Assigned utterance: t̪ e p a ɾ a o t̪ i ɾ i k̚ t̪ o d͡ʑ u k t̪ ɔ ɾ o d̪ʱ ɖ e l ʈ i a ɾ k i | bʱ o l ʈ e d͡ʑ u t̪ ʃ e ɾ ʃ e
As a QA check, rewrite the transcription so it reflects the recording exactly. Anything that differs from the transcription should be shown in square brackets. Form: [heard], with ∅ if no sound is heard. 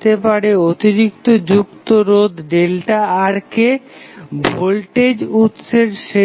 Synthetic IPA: t̪ e p a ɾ [e] o t̪ i ɾ i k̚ t̪ o d͡ʑ u k t̪ [o] ɾ o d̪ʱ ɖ e l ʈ [a] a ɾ k [e] | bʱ o l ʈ e d͡ʑ u t̪ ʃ e ɾ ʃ e